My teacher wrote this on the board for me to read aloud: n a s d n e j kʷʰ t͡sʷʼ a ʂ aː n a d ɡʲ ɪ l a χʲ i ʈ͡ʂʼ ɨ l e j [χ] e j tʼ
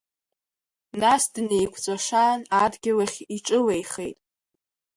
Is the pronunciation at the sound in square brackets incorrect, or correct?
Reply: correct